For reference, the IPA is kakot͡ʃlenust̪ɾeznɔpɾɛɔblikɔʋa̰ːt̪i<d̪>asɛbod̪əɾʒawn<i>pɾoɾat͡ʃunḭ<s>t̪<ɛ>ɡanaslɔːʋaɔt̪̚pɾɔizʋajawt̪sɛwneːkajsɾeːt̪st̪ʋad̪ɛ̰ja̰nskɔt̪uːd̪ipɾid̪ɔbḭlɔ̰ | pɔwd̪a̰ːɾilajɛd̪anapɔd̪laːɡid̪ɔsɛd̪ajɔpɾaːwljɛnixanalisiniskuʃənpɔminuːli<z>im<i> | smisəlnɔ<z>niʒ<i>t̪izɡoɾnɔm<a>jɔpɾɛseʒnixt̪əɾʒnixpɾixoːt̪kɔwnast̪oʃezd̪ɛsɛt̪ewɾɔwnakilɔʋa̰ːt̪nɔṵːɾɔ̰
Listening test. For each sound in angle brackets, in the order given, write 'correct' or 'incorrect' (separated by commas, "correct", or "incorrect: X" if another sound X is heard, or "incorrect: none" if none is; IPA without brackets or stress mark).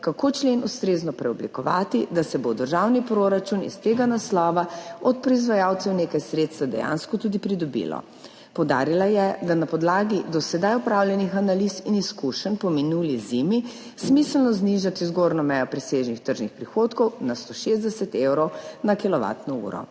correct, correct, correct, incorrect: e, correct, correct, correct, incorrect: a, incorrect: ɛ